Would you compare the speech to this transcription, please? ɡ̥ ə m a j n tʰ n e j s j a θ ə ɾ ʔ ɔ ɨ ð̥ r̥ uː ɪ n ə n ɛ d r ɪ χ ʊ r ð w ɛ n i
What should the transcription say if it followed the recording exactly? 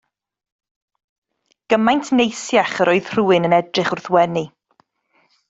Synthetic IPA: ɡ̥ ə m a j n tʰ n e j s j a χ ə ɾ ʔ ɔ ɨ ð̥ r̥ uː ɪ n ə n ɛ d r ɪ χ ʊ r θ w ɛ n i